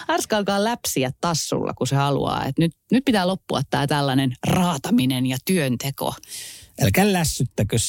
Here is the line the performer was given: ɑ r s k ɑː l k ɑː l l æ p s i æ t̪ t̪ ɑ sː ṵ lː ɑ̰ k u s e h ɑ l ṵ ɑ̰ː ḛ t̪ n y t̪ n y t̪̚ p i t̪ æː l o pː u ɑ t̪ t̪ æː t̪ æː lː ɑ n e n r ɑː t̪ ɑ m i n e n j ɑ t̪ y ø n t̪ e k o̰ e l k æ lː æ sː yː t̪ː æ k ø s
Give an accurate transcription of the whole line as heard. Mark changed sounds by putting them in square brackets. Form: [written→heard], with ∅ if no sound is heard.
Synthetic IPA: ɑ r s k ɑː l k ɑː l l æ p s i æ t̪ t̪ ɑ sː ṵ lː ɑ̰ k u s e h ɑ l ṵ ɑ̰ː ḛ t̪ n y t̪ n y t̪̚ p i t̪ æː l o pː u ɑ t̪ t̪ æː t̪ [æː→æ] lː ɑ n e n r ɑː t̪ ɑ m i n e n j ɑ t̪ y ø n t̪ e k o̰ e l k æ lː æ sː [yː→y] t̪ː æ k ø s